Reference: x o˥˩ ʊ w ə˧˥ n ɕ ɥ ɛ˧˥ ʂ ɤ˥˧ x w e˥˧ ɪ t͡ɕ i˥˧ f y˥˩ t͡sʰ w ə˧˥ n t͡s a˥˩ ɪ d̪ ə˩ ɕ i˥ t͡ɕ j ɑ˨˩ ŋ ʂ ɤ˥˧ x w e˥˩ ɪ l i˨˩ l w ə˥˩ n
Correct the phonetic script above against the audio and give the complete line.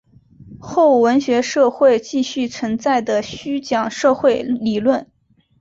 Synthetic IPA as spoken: x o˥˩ ʊ w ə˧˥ n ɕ ɥ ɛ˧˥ ʂ ɤ˥˧ x w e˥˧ ɪ t͡ɕ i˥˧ ɕ y˥˩ t͡sʰ w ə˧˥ n t͡s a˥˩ ɪ d̪ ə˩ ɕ y˥ t͡ɕ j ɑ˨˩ ŋ ʂ ɤ˥˧ x w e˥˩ ɪ l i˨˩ l w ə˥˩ n